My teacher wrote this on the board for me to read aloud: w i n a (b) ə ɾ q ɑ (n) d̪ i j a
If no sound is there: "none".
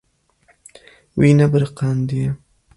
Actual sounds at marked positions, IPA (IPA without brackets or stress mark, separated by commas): b, n